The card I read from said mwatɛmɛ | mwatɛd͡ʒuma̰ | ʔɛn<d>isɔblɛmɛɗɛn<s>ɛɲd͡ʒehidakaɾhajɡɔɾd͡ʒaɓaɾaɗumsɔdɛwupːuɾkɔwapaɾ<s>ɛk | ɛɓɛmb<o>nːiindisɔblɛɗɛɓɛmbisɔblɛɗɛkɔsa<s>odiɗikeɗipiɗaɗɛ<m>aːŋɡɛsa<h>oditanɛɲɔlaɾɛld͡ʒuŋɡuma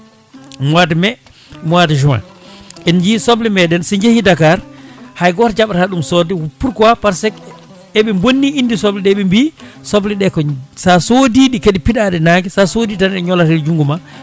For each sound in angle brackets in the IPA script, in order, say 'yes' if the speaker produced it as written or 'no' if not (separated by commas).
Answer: no, yes, yes, yes, yes, no, no